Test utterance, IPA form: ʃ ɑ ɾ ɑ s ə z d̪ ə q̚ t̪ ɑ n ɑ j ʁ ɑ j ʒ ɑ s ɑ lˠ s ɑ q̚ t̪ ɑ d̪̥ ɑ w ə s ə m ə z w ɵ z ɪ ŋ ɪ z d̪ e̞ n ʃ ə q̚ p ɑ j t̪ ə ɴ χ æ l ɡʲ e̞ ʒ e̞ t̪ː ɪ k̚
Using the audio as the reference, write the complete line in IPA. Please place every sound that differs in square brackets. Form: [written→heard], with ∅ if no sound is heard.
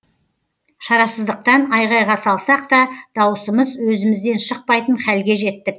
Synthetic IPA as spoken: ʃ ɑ ɾ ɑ s ə z d̪ ə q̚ t̪ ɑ n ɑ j ʁ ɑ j [ʒ→ʁ] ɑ s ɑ lˠ s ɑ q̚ t̪ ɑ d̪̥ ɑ w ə s ə m ə z w ɵ z ɪ [ŋ→m] ɪ z d̪ e̞ n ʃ ə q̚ p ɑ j t̪ ə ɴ χ æ l ɡʲ e̞ ʒ e̞ t̪ː ɪ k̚

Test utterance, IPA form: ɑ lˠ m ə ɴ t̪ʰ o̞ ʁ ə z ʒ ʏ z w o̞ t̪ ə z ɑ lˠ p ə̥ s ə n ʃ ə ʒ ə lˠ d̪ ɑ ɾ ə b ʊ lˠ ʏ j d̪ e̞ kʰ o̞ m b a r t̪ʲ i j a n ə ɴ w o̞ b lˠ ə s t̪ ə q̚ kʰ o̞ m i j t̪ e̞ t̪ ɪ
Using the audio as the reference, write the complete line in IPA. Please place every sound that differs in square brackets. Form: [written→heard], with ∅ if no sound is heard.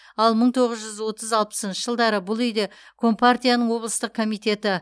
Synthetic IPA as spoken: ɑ lˠ m ə ɴ t̪ʰ o̞ ʁ ə z ʒ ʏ z w o̞ t̪ ə z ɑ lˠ p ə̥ s ə n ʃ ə ʒ ə lˠ d̪ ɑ ɾ ə b ʊ lˠ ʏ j d̪ e̞ kʰ o̞ m [b→p] a r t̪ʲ i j a n ə ɴ w o̞ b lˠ ə s t̪ ə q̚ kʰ o̞ m i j t̪ e̞ t̪ ɪ

